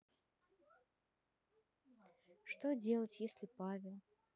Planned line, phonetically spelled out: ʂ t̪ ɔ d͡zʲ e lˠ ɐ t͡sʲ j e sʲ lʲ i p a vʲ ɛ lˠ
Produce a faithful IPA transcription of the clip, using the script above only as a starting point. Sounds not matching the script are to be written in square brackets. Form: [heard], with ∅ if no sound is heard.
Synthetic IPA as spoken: ʂ t̪ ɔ d͡zʲ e lˠ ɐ t͡sʲ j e sʲ lʲ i p a vʲ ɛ lˠ